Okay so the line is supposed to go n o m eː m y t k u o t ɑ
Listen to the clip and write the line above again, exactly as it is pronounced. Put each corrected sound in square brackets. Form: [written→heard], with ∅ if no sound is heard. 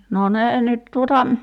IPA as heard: n o [m→n] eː [m→n] y t [k→t] u o t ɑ